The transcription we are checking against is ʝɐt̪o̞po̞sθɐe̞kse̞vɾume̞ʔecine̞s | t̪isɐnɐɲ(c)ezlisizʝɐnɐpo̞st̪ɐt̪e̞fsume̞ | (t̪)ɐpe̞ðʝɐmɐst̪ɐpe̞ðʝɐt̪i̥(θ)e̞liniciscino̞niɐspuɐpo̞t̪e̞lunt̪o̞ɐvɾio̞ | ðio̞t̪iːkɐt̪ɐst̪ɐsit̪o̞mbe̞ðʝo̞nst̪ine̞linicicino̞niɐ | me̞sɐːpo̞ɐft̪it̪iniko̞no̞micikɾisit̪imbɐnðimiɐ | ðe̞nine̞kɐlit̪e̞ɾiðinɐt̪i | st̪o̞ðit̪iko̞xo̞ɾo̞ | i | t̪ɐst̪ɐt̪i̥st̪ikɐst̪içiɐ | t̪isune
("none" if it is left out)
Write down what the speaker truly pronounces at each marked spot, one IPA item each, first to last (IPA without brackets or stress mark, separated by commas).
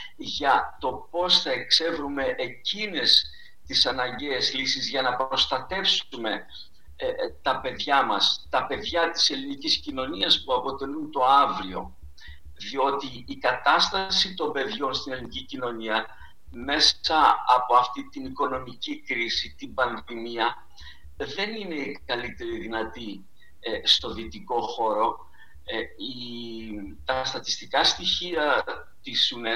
ɟ, t̪, s